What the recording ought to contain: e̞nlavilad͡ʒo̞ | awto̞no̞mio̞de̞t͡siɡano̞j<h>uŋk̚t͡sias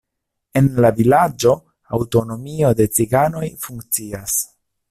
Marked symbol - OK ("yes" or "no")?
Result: no